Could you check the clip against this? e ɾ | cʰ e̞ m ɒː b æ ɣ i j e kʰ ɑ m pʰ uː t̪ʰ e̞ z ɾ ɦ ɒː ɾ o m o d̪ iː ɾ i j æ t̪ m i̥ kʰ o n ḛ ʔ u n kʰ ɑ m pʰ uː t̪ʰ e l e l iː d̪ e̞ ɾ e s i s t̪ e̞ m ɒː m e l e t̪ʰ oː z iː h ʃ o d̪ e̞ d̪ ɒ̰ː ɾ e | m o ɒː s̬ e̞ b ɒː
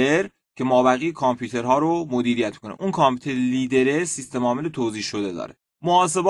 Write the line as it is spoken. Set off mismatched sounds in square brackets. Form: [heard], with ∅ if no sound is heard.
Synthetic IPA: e ɾ | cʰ e̞ m ɒː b æ ɣ i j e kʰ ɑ m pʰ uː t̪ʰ e̞ [∅] ɾ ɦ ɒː ɾ o m o d̪ iː ɾ i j æ t̪ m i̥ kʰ o n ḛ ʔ u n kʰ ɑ m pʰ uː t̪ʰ e [ɾ] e l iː d̪ e̞ ɾ e s i s t̪ e̞ m ɒː m e l e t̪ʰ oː z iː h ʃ o d̪ e̞ d̪ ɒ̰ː ɾ e | m o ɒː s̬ e̞ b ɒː